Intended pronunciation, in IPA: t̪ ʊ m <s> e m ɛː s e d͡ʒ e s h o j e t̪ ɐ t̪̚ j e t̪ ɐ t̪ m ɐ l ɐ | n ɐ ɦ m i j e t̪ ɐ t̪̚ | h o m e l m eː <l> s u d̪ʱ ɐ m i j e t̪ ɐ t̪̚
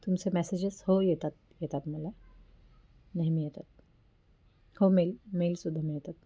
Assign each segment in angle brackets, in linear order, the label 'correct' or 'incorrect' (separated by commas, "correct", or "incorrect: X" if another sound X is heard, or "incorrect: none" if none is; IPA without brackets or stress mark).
correct, correct